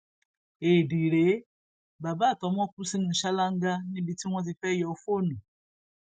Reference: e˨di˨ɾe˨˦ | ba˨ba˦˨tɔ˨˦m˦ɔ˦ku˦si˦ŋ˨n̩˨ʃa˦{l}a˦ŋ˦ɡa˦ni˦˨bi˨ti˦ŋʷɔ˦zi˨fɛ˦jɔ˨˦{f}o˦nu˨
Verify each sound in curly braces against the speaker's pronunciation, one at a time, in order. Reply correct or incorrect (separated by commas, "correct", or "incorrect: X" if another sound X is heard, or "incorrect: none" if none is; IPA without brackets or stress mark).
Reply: correct, correct